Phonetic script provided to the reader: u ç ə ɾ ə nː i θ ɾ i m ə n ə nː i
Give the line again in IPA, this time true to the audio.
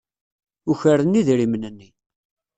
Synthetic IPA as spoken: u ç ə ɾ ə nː i ð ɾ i m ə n ə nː i